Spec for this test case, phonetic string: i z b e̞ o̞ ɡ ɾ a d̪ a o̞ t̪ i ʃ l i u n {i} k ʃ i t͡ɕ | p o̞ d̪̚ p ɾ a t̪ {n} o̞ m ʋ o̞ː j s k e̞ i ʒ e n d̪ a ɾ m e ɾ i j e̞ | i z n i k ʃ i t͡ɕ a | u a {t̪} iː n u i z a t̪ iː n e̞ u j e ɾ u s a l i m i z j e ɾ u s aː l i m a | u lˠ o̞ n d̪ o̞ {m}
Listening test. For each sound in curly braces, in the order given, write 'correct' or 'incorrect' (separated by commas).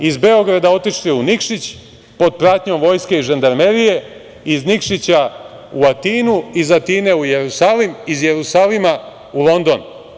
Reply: correct, incorrect, correct, incorrect